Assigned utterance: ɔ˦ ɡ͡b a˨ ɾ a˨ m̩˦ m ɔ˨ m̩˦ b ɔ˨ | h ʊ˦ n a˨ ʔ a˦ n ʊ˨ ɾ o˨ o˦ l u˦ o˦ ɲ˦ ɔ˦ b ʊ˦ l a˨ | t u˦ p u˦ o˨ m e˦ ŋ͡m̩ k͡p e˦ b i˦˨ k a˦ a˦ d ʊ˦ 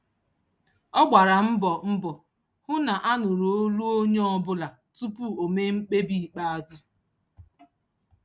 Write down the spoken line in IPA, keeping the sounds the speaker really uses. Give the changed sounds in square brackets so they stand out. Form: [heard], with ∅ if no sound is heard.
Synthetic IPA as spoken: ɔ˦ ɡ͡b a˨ ɾ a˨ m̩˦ [b] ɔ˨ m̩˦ b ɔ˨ | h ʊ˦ n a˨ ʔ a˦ n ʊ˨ ɾ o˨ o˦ l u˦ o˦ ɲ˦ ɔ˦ b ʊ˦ l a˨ | t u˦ p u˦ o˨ m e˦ ŋ͡m̩ k͡p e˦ b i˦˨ [k͡p] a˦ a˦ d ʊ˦